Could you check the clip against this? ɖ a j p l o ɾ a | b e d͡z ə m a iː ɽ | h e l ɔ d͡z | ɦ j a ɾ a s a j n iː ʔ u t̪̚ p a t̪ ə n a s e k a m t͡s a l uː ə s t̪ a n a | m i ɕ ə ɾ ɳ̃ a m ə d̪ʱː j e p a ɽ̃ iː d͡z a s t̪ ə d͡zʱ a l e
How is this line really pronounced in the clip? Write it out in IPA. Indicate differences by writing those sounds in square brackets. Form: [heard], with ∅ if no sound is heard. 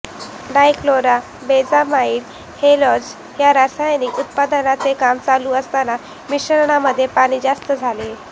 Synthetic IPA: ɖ a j [k] l o ɾ a | b e d͡z [a] m a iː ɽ | h e l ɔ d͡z | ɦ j a ɾ a s a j n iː [k] u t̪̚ p a [d̪] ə n a [t͡s] e k a m t͡s a l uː ə s t̪ a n a | m i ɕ ə ɾ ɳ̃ a m ə d̪ʱː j e p a ɽ̃ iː d͡z a s t̪ ə d͡zʱ a l e

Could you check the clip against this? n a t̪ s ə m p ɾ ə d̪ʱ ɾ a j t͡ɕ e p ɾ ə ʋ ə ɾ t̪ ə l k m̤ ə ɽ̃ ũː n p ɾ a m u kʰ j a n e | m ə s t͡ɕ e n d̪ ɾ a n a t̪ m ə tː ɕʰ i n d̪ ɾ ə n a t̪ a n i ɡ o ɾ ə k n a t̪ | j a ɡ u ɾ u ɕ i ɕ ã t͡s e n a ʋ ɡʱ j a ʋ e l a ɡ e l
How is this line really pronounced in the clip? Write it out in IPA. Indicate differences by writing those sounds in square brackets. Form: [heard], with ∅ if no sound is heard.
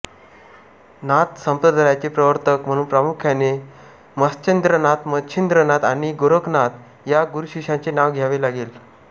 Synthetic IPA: n a t̪ s ə m p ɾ ə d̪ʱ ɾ a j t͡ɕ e p ɾ ə ʋ ə ɾ t̪ ə [∅] k m̤ ə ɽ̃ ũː n p ɾ a m u kʰ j a n e | m ə s t͡ɕ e n d̪ ɾ [ə] n a t̪ m ə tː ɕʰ i n d̪ ɾ ə n a t̪ a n i ɡ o ɾ ə k n a t̪ | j a ɡ u ɾ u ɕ i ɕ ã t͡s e n a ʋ ɡʱ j a ʋ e l a ɡ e l

